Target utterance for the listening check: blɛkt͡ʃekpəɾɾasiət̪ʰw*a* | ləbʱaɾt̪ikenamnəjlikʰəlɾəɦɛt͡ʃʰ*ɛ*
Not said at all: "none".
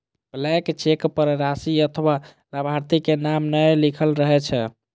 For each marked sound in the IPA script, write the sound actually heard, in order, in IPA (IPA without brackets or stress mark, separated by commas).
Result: a, ɛ